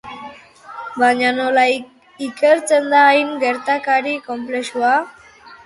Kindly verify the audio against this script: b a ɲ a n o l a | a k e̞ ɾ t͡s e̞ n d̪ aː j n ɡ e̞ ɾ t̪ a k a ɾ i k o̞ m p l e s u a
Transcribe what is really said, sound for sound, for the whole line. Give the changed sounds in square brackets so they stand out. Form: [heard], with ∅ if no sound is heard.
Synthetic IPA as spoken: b a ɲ a n o l a | [i] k e̞ ɾ t͡s e̞ n d̪ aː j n ɡ e̞ ɾ t̪ a k a ɾ i k o̞ m p l e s u a